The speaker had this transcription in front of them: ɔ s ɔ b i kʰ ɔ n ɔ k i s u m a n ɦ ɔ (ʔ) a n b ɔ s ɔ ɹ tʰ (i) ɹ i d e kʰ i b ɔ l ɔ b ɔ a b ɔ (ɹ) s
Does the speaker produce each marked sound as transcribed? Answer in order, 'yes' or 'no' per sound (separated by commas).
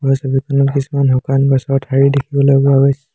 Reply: no, no, no